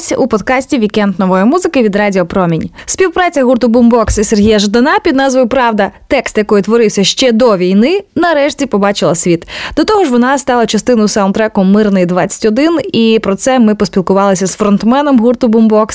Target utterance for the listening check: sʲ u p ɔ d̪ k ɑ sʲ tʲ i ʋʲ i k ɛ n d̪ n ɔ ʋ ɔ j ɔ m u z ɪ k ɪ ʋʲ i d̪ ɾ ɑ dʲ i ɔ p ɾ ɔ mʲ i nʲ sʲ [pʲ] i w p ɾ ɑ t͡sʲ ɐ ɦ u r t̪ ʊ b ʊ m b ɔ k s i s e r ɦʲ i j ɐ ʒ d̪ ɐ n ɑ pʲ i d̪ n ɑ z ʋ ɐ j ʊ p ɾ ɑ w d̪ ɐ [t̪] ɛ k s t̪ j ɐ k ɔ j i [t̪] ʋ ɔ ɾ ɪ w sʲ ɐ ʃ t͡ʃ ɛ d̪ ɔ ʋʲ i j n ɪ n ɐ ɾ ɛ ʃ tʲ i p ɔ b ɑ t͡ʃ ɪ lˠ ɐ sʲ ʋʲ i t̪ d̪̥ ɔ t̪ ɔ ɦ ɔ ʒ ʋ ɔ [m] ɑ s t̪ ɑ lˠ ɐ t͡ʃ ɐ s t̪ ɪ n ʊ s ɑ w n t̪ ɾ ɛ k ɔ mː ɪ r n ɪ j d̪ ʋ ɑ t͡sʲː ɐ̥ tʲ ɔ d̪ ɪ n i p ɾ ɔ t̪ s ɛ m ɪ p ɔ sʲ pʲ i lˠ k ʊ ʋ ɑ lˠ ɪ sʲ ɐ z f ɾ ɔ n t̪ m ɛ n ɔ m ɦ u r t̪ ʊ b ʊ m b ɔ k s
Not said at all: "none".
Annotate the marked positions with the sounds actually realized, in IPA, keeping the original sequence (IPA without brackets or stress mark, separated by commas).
pʲ, t̪, t̪, n